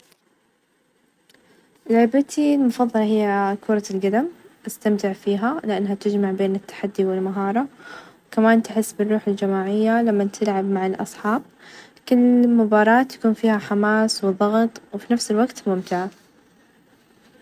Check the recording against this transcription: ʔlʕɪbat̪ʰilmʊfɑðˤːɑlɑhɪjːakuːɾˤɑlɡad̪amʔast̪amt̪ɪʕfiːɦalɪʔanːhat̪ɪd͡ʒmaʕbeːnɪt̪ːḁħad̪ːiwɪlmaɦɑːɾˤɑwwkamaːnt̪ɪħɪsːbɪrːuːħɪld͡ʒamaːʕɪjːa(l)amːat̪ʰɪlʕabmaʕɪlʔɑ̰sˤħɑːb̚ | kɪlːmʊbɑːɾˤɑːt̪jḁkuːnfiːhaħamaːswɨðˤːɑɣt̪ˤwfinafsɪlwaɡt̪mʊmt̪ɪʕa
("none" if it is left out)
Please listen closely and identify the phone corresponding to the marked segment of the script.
l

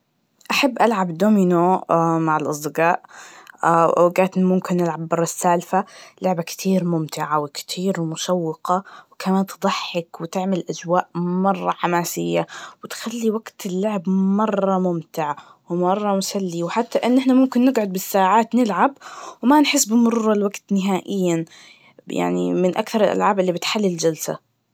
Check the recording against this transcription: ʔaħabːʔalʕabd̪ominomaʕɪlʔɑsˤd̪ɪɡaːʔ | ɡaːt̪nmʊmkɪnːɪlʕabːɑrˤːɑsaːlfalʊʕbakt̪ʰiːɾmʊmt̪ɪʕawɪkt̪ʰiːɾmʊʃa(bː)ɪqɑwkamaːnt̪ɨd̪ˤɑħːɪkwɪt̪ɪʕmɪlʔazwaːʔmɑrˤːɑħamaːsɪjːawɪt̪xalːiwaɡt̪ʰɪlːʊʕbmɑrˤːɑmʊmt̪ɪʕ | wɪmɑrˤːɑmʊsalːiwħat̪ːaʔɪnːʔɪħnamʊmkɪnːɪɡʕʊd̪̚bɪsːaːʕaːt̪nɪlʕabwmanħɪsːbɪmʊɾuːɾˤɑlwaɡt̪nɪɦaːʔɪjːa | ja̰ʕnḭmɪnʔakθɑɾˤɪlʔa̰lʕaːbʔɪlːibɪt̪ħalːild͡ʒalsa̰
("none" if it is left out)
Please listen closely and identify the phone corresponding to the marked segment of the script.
wː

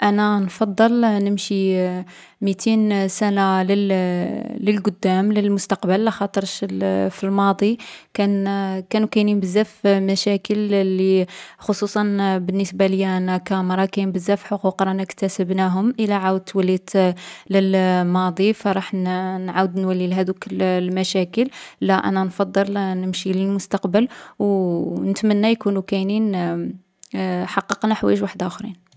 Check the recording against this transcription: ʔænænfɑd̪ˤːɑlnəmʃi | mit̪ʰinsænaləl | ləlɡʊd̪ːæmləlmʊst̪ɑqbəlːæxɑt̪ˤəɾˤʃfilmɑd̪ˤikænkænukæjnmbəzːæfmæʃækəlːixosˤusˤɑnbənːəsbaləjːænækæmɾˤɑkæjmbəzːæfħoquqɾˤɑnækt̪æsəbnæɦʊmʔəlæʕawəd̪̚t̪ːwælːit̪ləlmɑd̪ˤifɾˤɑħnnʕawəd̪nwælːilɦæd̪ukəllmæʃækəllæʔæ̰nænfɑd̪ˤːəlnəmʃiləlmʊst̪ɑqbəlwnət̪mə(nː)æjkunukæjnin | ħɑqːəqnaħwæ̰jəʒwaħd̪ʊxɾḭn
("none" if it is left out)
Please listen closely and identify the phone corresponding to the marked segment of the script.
nː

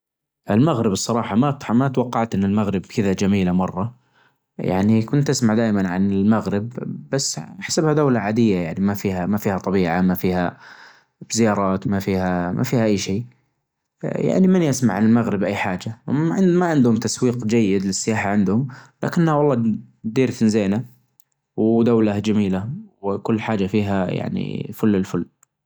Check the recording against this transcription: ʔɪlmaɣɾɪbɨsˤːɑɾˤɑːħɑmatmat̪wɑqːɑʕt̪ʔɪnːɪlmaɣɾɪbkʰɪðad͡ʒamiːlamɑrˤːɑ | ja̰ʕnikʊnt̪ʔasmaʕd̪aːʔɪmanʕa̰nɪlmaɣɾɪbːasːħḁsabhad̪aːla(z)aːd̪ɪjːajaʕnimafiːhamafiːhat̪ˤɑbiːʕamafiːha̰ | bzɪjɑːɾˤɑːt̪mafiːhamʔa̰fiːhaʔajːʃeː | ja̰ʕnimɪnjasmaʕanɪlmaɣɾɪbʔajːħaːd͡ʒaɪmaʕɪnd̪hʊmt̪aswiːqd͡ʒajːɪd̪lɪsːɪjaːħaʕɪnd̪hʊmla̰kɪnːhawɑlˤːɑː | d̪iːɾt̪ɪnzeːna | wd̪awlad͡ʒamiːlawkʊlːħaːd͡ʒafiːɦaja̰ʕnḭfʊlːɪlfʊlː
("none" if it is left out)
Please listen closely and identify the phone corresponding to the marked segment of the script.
ʕ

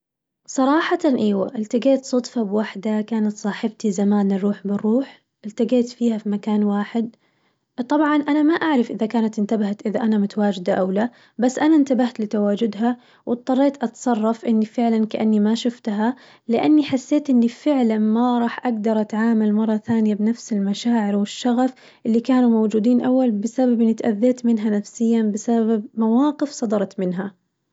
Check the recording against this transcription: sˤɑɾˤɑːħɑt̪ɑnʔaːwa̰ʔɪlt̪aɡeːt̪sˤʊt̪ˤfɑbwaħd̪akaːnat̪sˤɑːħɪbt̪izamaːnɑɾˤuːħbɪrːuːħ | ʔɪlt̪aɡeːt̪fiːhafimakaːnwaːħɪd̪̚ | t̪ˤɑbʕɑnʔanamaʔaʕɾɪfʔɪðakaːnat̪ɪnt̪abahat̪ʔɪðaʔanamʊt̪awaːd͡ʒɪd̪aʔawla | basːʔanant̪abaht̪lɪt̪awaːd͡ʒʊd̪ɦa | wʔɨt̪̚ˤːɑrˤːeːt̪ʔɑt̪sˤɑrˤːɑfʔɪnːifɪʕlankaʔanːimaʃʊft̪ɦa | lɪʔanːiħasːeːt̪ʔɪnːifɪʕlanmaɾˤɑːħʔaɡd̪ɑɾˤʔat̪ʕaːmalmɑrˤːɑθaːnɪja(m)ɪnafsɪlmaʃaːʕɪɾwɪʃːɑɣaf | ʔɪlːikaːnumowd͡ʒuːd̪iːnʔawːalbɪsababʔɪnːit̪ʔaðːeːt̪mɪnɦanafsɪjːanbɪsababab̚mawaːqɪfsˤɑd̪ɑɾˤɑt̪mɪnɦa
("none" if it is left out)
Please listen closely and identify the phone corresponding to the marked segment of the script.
b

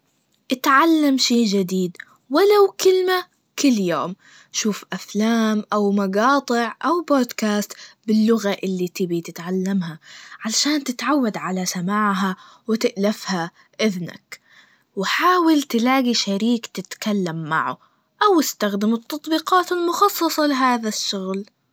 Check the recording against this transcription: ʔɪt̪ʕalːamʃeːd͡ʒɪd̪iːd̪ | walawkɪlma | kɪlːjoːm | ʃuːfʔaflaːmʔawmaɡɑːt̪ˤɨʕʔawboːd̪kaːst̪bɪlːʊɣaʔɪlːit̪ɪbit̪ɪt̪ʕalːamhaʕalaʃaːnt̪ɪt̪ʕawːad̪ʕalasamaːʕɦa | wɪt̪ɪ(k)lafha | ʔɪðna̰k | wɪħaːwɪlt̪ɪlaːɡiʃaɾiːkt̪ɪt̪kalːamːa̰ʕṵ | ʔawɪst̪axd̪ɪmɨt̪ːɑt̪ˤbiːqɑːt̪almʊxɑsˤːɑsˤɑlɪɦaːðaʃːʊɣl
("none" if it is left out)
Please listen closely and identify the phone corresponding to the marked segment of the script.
ʔ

